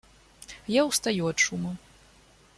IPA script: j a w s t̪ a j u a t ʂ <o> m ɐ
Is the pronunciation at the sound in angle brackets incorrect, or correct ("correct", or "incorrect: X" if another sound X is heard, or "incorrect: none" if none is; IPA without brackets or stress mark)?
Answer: incorrect: u